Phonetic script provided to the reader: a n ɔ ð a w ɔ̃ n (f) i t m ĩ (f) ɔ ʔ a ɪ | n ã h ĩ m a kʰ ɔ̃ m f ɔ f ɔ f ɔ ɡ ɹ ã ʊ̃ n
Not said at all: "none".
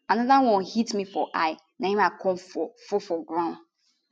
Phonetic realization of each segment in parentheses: h, f

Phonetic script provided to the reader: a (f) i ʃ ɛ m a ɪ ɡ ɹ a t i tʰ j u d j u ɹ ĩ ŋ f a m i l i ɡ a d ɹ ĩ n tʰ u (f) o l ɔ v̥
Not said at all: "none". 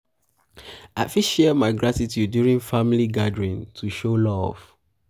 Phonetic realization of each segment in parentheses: f, ʃ

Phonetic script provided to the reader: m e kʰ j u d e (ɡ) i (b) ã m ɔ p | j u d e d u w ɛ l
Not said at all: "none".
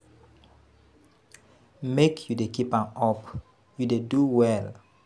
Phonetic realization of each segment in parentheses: k, p

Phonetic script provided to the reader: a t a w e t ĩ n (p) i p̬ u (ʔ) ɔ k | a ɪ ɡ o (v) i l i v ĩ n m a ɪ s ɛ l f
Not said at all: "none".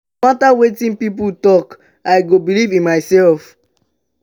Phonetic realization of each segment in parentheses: p, t, b

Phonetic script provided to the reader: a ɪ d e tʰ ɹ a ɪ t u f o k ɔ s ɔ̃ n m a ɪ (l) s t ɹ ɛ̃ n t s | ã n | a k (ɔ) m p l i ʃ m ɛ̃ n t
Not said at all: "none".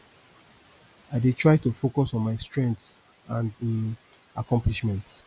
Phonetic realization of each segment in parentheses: none, ɔ̃

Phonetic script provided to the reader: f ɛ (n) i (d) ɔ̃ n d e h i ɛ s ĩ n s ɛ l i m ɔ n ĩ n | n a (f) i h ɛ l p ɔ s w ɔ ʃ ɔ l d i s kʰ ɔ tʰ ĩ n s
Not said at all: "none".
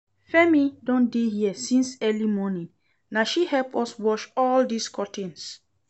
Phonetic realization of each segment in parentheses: m, d, ʃ

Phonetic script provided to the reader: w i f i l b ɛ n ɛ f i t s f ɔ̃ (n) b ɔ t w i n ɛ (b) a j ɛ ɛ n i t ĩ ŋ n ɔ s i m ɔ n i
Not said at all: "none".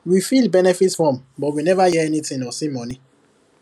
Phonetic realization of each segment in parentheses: m, v

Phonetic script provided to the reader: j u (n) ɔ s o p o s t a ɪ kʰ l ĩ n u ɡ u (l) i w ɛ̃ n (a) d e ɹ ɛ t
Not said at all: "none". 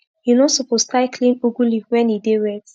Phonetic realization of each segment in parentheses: n, l, i

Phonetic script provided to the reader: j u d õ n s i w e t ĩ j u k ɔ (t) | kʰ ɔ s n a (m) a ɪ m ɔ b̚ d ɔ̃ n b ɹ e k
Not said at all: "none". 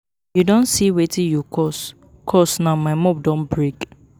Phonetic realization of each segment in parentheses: s, m

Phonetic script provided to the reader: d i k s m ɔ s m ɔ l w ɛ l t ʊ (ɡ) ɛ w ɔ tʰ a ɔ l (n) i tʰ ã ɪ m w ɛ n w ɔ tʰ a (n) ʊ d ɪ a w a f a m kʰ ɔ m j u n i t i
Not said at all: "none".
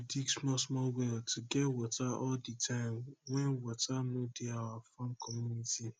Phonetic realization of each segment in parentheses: ɡ, d, n

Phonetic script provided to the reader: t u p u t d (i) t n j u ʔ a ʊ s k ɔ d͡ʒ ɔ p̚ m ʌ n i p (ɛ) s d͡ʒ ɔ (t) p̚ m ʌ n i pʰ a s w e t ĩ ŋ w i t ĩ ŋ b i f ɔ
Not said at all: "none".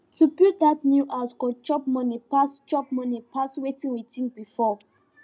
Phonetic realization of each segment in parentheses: a, a, none

